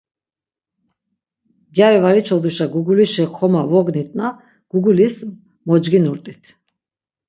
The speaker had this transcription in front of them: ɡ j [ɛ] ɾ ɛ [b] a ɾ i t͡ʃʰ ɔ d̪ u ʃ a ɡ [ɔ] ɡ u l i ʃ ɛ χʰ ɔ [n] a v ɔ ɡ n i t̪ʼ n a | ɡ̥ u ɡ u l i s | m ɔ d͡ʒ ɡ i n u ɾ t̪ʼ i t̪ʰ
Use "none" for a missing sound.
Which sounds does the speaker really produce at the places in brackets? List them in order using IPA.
a, v, u, m

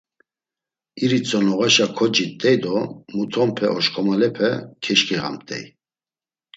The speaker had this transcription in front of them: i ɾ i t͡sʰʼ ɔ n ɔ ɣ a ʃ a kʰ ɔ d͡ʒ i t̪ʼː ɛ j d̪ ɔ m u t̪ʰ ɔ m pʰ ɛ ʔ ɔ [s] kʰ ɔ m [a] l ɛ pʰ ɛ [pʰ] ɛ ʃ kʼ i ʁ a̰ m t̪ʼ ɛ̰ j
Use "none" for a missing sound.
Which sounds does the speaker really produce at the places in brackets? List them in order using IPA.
ʃ, a, kʰ

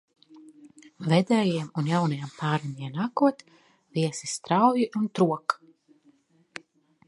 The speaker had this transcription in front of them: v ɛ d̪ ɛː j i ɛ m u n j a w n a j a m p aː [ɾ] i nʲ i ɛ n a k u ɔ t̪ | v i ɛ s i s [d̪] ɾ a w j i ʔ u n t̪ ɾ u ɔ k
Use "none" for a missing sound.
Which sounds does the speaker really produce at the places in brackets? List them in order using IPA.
ɾ, t̪

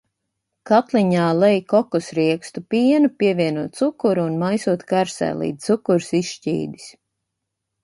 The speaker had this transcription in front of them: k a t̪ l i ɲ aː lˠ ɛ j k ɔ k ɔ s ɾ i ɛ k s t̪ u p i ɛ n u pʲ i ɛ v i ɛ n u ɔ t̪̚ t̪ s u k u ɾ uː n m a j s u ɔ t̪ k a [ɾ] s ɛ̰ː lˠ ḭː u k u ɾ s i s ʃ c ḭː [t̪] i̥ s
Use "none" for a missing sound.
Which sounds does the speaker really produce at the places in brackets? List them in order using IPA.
ɾ, d̪

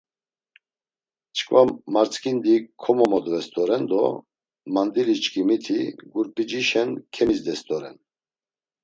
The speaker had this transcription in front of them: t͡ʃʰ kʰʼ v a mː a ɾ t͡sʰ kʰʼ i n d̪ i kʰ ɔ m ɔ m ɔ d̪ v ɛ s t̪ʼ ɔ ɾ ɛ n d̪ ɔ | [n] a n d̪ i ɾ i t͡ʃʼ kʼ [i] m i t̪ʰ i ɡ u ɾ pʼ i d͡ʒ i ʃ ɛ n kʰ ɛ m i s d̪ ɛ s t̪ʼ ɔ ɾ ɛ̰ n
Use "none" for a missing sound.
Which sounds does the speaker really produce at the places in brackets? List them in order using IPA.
m, i

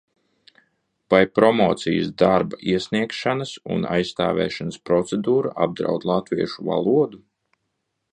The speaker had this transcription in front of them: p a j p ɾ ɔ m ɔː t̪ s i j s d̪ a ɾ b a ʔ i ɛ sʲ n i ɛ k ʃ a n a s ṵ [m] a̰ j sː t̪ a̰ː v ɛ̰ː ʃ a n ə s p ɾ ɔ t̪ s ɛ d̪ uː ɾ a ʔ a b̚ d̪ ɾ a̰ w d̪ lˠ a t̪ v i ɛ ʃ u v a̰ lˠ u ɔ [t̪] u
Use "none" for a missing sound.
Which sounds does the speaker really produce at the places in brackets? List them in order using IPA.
n, d̪

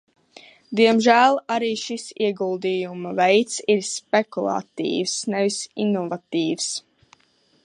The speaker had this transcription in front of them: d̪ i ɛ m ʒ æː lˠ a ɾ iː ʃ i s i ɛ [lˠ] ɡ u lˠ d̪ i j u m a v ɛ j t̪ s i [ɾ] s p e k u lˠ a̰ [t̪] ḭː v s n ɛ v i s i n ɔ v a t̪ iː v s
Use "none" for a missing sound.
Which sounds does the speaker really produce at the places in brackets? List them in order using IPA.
none, ɾ, t̪

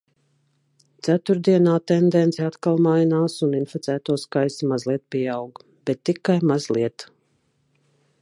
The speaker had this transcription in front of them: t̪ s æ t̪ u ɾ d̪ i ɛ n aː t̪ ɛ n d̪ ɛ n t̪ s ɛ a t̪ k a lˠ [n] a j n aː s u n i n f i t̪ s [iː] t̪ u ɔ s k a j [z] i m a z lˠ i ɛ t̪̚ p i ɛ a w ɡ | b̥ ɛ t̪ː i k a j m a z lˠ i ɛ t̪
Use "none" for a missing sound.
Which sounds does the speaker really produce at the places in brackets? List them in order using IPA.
m, æː, s

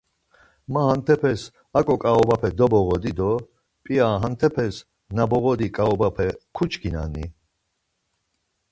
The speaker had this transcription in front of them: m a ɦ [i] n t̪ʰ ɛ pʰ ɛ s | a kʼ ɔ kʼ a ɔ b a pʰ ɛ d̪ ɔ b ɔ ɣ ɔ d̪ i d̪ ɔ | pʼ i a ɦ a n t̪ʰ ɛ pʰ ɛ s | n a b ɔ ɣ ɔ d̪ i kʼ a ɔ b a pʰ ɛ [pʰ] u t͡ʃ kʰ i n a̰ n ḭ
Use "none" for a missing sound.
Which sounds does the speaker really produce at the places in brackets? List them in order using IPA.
a, kʰ

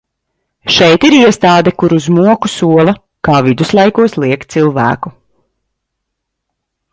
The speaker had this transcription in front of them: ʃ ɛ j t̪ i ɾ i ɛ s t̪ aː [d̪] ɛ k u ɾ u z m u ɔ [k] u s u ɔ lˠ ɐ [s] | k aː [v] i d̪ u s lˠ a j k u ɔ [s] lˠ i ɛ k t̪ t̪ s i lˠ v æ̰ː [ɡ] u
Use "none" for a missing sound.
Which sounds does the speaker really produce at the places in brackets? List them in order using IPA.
d̪, k, none, v, s, k

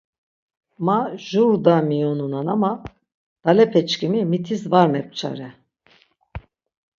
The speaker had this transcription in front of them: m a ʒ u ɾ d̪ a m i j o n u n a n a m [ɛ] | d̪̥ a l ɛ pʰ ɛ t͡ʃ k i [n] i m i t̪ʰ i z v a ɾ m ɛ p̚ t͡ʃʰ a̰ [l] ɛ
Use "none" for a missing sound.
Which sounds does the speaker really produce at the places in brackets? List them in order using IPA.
a, m, ɾ

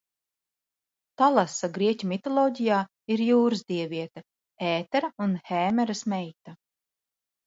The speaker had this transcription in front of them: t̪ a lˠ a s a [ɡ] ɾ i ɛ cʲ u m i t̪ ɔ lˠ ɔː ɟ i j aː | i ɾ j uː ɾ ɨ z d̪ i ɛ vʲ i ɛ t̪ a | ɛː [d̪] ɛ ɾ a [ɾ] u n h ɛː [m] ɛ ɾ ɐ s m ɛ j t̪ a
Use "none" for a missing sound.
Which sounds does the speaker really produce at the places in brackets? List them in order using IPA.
ɡ, t̪, none, m

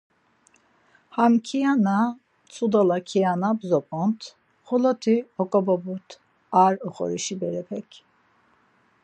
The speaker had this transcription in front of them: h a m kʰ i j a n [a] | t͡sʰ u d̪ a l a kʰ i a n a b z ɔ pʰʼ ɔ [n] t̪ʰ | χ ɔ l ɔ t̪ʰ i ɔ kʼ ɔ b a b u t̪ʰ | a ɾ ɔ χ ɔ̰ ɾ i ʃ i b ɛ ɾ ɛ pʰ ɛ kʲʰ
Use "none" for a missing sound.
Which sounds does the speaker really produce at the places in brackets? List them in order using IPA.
a, n

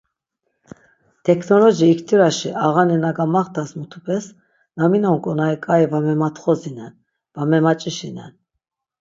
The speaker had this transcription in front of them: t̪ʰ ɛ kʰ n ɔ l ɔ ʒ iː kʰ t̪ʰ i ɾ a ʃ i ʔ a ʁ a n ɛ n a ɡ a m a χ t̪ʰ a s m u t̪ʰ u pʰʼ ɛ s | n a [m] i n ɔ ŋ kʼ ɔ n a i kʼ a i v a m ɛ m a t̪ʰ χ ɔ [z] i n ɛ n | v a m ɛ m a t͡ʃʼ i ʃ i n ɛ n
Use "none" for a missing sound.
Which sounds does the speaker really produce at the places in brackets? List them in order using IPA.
m, z

